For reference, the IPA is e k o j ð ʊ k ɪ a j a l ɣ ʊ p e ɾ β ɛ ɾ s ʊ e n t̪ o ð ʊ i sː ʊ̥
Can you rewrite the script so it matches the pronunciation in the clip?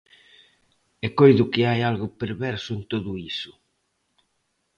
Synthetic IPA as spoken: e k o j ð ʊ k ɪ a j a l ɣ ʊ p e ɾ β ɛ ɾ s ʊ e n t̪ o ð ʊ i s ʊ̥